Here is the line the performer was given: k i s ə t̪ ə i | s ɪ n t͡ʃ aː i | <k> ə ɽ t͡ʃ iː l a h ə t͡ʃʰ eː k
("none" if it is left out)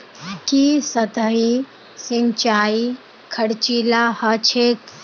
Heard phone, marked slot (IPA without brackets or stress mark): kʰ